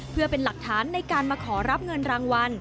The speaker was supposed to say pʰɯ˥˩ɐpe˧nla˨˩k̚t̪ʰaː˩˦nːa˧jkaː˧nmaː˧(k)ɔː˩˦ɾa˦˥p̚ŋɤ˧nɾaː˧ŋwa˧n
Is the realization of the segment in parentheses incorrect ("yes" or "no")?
yes